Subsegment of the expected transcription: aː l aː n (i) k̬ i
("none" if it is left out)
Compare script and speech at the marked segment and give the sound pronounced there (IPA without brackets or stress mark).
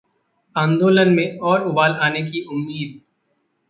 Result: e